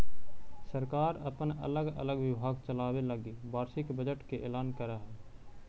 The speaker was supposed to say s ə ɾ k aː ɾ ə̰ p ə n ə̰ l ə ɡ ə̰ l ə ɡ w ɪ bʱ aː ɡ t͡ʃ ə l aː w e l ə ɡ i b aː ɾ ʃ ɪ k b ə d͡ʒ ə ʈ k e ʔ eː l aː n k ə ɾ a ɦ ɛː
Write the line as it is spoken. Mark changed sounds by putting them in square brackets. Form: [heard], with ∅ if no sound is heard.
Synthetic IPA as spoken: s ə ɾ k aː ɾ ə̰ p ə n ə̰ l ə ɡ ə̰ l ə ɡ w ɪ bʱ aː ɡ t͡ʃ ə l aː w e l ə ɡ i b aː ɾ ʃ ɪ k b ə d͡ʒ ə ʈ k e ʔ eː l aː n k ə ɾ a ɦ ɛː